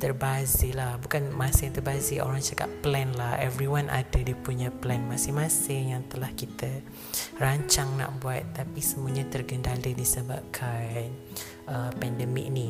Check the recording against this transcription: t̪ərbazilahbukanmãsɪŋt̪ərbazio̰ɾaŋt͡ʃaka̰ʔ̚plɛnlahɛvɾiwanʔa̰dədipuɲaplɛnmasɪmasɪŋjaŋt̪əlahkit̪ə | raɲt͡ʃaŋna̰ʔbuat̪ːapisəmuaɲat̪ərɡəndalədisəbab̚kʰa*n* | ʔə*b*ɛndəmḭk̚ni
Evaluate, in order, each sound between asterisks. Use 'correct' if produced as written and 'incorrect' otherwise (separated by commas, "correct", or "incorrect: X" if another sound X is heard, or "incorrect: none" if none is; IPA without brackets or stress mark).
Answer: correct, incorrect: p